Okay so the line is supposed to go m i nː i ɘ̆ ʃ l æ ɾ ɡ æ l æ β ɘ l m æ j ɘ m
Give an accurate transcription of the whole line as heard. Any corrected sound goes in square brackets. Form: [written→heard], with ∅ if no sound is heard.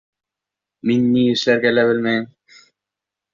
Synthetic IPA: m i nː i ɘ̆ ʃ l æ ɾ ɡ æ l æ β ɘ l m æ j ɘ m

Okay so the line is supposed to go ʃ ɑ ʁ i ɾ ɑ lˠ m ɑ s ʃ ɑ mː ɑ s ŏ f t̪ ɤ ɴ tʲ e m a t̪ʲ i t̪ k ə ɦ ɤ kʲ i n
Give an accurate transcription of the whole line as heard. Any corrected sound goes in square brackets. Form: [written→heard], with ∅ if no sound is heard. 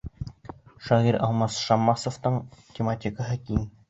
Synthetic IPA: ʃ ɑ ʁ i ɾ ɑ lˠ m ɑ s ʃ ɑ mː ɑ s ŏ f t̪ ɤ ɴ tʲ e m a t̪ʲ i [t̪→∅] k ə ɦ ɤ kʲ i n

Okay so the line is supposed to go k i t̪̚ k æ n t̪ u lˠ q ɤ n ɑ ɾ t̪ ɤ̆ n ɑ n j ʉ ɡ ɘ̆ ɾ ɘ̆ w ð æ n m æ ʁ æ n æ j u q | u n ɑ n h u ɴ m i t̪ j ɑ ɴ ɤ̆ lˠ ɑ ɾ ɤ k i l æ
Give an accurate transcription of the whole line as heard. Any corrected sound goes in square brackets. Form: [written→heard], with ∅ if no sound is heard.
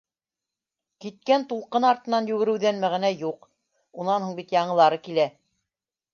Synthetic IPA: k i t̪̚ k æ n t̪ u lˠ q ɤ n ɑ ɾ t̪ ɤ̆ n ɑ n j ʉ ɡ ɘ̆ ɾ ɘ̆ w ð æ n m æ ʁ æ n æ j u q | u n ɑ n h u ɴ [m→b] i t̪ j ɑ ɴ ɤ̆ lˠ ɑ ɾ ɤ k i l æ

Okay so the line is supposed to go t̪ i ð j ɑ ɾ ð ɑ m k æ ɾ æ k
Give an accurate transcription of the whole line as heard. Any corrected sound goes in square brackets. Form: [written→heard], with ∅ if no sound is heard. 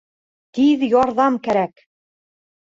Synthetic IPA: t̪ i ð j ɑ ɾ ð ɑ m k æ ɾ æ k

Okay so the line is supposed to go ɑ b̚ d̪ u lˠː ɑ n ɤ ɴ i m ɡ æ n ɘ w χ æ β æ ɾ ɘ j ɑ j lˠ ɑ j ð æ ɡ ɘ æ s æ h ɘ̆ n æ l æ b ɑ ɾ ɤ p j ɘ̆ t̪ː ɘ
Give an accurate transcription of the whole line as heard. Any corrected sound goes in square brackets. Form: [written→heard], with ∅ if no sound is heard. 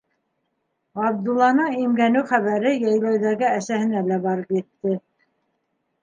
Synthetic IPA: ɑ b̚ d̪ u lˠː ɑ n ɤ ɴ i m ɡ æ n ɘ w χ æ β æ ɾ ɘ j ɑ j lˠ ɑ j ð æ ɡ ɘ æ s æ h ɘ̆ n æ l æ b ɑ ɾ ɤ p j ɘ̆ t̪ː ɘ

